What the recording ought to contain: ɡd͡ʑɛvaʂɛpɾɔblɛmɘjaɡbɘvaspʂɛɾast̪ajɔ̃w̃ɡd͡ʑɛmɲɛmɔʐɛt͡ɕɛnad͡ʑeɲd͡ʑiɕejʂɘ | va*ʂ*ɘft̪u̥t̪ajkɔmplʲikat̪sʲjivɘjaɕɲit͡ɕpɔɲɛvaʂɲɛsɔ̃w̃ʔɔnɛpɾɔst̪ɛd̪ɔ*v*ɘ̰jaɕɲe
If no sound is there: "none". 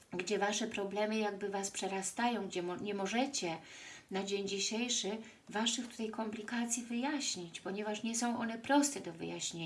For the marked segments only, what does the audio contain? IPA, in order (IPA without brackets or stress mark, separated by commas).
ʂ, v